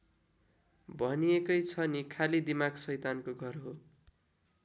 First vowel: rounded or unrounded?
unrounded